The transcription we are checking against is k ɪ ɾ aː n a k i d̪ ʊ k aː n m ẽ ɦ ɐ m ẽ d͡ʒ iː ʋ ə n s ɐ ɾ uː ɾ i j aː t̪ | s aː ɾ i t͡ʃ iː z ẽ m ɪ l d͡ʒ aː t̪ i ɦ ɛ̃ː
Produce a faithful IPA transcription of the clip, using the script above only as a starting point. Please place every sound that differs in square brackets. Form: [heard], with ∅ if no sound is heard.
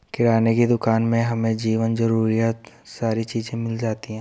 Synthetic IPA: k ɪ ɾ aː n [e] k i d̪ ʊ k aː n m ẽ ɦ ɐ m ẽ d͡ʒ iː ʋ ə n [z] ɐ ɾ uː ɾ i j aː t̪ | s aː ɾ i t͡ʃ iː z ẽ m ɪ l d͡ʒ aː t̪ i ɦ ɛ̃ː